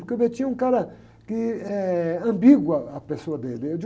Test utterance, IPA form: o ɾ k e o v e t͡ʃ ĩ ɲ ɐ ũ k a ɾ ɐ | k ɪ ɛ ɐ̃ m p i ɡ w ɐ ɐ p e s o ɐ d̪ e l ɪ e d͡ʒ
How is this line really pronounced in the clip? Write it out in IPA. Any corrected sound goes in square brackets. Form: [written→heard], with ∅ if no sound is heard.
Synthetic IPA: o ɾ k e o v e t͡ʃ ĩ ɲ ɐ ũ k a ɾ ɐ | k ɪ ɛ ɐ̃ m [p→b] i ɡ w ɐ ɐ p e s o ɐ d̪ e l ɪ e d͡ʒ